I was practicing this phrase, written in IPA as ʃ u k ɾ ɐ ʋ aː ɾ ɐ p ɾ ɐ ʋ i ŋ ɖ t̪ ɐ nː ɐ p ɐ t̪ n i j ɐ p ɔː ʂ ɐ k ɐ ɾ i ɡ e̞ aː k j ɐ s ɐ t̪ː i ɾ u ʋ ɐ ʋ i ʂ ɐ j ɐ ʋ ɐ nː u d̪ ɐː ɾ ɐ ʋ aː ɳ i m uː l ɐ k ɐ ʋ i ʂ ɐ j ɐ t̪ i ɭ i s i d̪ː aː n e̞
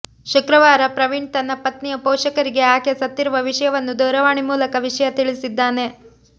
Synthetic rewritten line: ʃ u k ɾ ɐ ʋ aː ɾ ɐ p ɾ ɐ ʋ i ɳ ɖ t̪ ɐ nː ɐ p ɐ t̪ n i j ɐ p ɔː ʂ ɐ k ɐ ɾ i ɡ e̞ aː k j ɐ s ɐ t̪ː i ɾ u ʋ ɐ ʋ i ʂ ɐ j ɐ ʋ ɐ nː u d̪ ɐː ɾ ɐ ʋ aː ɳ i m uː l ɐ k ɐ ʋ i ʂ ɐ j ɐ t̪ i ɭ i s i d̪ː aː n e̞